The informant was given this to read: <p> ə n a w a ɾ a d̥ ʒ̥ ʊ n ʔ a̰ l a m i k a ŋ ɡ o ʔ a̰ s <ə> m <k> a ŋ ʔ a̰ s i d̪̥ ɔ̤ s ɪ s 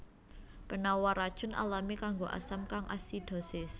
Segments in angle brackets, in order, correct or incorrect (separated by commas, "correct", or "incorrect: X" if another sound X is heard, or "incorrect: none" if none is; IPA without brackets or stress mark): correct, incorrect: a, correct